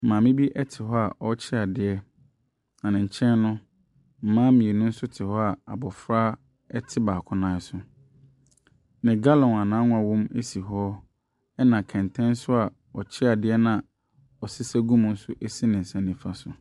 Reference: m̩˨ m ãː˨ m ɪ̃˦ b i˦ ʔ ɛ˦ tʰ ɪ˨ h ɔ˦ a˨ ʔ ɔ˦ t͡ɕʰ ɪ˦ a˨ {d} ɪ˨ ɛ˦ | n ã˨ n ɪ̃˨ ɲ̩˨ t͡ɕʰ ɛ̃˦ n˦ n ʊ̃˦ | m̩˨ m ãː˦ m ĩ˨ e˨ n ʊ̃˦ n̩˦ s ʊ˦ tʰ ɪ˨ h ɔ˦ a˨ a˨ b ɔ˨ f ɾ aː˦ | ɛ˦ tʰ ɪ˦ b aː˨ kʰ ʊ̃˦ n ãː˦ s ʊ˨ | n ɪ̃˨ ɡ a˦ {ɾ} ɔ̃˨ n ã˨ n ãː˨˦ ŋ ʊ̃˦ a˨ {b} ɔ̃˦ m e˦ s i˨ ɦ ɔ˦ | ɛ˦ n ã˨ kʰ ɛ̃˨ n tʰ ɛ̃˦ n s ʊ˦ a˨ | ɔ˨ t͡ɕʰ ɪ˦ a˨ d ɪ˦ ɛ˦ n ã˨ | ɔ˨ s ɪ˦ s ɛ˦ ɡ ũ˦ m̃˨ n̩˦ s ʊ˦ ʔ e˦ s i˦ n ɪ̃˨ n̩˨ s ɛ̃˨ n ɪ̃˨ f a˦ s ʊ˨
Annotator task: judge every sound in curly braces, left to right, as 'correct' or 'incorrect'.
correct, incorrect: l, incorrect: w

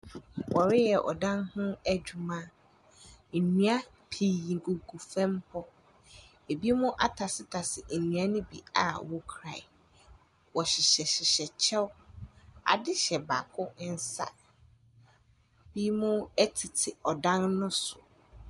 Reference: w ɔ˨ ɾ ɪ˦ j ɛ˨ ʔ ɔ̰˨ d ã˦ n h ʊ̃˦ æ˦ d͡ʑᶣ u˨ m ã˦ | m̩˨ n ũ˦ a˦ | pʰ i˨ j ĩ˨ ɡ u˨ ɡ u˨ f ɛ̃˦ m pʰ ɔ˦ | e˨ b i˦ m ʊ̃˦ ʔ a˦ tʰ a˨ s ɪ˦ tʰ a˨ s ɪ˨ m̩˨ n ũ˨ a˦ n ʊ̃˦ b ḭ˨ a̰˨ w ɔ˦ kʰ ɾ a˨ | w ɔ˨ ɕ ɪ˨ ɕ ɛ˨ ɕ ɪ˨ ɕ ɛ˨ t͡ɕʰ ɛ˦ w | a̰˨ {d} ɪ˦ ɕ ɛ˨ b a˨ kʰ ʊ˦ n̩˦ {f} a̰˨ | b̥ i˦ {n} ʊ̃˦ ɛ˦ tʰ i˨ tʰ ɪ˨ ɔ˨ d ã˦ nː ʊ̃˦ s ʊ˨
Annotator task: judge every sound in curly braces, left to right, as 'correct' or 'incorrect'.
correct, incorrect: s, incorrect: m

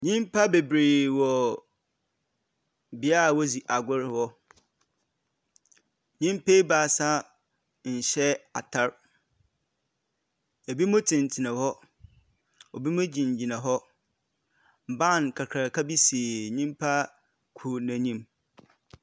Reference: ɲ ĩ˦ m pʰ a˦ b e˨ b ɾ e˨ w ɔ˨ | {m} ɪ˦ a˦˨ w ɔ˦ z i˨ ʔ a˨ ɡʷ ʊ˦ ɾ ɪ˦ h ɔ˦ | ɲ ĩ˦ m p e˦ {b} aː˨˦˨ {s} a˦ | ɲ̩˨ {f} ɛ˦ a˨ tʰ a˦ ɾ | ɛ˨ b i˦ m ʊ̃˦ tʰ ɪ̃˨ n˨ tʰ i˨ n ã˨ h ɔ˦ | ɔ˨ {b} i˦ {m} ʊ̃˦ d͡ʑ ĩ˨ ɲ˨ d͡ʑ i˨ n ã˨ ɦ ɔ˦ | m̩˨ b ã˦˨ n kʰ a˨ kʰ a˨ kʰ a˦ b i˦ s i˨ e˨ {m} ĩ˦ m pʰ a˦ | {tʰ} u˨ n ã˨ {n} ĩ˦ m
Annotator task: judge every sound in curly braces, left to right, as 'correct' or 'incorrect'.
incorrect: b, correct, correct, incorrect: ɕ, correct, correct, incorrect: ɲ, incorrect: kʰ, incorrect: ɲ

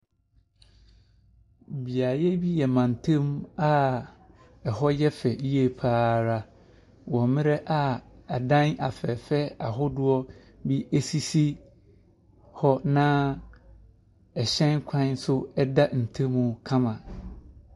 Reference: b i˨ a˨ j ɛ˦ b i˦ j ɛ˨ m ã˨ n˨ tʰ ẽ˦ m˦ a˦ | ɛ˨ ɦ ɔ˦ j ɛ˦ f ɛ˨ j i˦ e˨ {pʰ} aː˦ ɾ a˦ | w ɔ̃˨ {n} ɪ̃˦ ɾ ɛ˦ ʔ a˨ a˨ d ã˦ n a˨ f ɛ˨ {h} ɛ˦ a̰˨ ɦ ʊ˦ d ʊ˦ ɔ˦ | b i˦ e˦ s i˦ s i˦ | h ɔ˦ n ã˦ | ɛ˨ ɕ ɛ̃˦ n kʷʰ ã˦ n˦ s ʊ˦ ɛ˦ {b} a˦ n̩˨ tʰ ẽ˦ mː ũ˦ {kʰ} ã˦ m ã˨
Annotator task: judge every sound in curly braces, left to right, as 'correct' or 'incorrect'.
correct, incorrect: m, incorrect: f, incorrect: d, correct

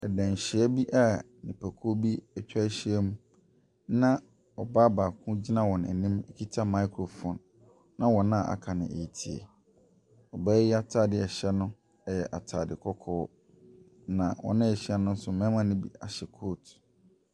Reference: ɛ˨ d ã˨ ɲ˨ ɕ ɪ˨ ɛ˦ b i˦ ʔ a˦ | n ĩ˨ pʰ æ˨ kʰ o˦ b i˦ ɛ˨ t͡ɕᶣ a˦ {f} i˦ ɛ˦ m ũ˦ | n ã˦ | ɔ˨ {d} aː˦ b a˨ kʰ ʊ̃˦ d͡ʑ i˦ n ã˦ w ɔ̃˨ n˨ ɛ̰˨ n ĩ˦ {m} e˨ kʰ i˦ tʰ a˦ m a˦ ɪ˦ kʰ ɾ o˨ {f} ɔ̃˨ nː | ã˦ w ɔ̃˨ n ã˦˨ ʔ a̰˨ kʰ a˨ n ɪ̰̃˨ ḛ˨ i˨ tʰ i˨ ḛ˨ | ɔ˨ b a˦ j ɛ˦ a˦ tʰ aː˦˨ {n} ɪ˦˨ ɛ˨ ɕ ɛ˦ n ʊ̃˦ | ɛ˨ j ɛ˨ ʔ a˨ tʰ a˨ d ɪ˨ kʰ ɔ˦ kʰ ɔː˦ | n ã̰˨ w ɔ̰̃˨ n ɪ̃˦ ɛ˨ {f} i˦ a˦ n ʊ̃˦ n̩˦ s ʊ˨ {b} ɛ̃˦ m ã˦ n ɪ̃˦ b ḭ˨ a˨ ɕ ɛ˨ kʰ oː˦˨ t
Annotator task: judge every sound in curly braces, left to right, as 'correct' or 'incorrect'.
incorrect: ɕ, incorrect: b, correct, correct, incorrect: d, incorrect: ɕ, incorrect: m

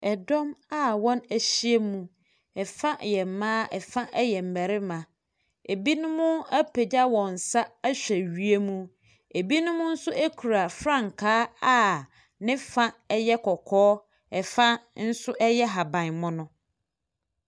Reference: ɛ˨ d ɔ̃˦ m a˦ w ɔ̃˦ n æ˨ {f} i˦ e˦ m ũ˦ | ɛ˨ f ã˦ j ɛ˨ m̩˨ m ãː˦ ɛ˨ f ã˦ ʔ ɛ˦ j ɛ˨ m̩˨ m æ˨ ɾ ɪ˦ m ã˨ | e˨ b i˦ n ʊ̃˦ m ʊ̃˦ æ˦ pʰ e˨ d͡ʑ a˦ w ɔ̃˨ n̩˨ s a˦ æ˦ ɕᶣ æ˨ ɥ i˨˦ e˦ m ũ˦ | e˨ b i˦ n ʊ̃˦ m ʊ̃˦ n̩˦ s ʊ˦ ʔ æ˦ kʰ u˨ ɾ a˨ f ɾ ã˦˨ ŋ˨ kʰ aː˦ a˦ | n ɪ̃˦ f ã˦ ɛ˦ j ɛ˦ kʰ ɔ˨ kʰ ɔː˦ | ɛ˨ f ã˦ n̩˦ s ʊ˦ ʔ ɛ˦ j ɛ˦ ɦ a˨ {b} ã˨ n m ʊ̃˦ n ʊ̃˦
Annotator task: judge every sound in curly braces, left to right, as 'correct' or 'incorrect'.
incorrect: ɕ, correct

